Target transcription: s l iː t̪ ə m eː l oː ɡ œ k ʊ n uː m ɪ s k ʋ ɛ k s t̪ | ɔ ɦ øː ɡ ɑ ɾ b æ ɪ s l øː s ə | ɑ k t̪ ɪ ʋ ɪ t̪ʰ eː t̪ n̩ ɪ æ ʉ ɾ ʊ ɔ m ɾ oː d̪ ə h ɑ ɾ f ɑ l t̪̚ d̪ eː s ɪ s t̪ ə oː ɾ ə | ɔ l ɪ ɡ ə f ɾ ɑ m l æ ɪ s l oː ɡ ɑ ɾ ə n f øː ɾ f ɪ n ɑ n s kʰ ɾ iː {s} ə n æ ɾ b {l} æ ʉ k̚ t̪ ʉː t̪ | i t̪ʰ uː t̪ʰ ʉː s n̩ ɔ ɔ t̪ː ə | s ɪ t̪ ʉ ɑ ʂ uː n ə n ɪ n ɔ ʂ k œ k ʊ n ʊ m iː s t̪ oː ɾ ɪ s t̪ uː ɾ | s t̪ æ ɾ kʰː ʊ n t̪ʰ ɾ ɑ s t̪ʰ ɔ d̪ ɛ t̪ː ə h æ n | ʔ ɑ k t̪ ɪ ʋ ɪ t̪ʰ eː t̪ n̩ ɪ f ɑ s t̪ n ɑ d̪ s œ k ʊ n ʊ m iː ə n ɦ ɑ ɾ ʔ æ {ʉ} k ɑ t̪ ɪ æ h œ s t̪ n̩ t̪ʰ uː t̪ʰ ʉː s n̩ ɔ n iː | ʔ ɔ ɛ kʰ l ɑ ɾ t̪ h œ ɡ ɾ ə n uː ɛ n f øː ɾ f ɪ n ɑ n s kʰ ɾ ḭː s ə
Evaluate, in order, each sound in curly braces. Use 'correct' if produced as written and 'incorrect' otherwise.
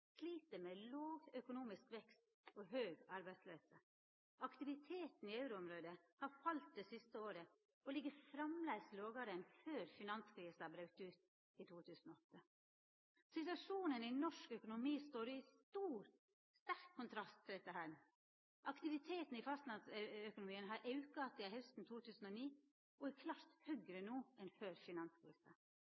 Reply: correct, incorrect, correct

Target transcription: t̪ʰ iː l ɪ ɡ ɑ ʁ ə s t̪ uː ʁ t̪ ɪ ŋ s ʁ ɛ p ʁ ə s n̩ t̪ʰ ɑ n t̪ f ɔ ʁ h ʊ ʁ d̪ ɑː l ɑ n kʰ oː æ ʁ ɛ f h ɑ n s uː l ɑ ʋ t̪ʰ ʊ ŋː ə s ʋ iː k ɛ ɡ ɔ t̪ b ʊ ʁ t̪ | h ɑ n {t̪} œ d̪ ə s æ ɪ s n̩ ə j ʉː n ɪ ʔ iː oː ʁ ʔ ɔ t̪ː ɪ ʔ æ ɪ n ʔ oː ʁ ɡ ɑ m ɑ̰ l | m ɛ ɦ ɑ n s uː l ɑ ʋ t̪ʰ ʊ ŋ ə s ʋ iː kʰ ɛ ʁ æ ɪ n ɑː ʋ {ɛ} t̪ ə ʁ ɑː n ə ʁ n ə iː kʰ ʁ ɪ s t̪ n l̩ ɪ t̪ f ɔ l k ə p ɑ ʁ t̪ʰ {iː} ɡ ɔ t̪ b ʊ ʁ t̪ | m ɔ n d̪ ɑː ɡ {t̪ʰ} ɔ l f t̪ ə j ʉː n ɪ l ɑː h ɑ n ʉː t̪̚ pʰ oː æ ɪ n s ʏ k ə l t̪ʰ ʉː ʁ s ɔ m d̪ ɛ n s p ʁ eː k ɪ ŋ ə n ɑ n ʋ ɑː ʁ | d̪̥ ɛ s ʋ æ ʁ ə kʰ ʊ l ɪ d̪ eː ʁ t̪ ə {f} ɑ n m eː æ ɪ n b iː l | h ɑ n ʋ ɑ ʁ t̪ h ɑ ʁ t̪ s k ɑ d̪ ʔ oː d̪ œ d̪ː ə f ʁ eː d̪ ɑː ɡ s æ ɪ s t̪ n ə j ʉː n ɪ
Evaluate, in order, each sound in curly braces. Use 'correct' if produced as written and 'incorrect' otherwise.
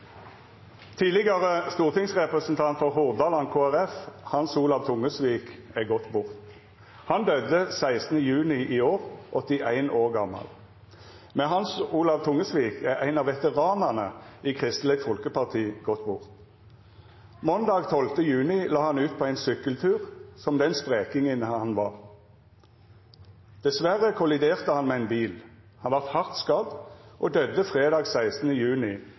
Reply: incorrect, correct, correct, correct, incorrect

